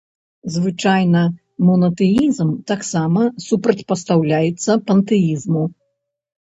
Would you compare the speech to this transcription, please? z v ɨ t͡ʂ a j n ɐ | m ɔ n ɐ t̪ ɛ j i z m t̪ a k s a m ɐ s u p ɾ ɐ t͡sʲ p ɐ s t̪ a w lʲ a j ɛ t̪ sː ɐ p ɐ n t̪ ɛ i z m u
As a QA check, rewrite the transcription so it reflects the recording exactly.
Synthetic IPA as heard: z v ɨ t͡ʂ a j n ɐ | m ɔ n ɐ t̪ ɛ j i z m t̪ a k s a m ɐ s u p ɾ ɐ t͡sʲ p ɐ s t̪ a w lʲ a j ɛ t̪ sː ɐ p ɐ n t̪ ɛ i z m u